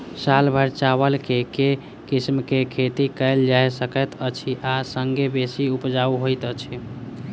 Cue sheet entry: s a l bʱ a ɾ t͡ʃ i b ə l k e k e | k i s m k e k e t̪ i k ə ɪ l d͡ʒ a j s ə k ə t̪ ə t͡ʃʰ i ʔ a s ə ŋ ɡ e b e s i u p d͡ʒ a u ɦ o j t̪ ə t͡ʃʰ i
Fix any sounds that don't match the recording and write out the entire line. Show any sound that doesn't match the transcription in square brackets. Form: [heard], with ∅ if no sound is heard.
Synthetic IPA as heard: s a l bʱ [ə] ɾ t͡ʃ [a] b ə l k e k e | k i s m k e [kʰ] e t̪ i k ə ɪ l d͡ʒ a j s ə k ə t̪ ə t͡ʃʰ i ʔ a s ə ŋ ɡ e b e s i u p d͡ʒ a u ɦ o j t̪ ə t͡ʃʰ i